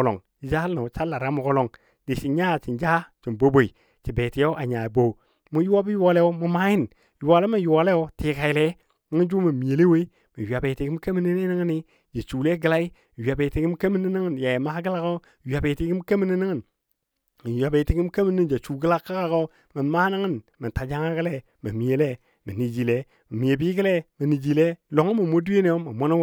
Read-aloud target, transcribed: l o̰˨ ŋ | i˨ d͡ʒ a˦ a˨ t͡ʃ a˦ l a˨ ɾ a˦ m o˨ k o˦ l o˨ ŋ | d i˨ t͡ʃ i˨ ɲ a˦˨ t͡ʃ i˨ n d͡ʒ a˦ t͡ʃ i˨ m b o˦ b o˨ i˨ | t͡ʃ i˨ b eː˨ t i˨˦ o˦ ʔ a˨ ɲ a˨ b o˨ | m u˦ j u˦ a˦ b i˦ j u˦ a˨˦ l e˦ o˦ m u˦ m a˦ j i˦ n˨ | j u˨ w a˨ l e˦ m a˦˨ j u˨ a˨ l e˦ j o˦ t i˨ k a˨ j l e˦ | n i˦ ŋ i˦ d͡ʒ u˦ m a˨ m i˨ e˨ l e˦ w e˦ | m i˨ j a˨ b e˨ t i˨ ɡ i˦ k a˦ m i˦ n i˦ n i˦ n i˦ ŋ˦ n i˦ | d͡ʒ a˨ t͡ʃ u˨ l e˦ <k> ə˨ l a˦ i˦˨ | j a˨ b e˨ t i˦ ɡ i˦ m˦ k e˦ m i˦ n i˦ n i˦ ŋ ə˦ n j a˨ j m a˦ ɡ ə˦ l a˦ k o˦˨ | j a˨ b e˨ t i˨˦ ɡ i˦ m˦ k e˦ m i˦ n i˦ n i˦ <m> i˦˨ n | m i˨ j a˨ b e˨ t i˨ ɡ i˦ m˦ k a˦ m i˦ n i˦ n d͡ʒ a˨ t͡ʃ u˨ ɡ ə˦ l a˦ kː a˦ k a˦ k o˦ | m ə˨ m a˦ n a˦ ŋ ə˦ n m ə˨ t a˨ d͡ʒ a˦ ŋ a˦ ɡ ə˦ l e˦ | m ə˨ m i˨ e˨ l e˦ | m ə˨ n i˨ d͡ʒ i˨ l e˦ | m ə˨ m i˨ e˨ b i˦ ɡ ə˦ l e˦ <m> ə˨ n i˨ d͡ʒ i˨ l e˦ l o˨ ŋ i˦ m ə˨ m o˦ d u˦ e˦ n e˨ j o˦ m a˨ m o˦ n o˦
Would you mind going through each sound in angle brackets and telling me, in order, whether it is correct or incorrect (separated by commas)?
incorrect, incorrect, correct